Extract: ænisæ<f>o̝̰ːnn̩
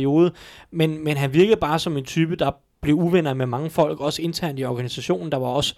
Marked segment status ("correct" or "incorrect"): incorrect